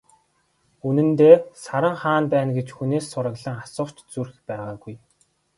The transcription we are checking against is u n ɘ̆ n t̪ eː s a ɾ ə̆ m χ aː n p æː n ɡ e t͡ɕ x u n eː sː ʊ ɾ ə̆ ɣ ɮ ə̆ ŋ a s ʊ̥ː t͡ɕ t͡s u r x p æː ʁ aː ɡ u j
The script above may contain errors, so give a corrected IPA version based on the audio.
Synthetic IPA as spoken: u n ɘ̆ n t̪ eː s a ɾ ə̆ ŋ χ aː n p æː n ɡ e t͡ɕ x u n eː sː ʊ ɾ ə̆ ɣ ɮ ə̆ ŋ a s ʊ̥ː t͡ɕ t͡s u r x p æː ʁ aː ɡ u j